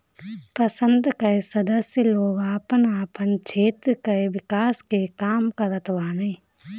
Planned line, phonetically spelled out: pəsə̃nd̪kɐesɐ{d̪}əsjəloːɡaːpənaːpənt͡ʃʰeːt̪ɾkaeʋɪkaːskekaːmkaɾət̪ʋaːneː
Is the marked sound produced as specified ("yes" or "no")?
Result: yes